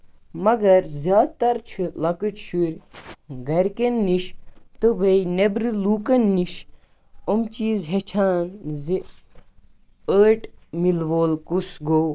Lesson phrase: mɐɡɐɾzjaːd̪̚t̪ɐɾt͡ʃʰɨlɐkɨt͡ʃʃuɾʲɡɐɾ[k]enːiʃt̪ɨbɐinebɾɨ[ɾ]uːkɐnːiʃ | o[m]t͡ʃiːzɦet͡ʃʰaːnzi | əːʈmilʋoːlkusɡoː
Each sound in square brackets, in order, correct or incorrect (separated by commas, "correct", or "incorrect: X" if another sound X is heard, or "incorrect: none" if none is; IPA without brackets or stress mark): correct, incorrect: l, correct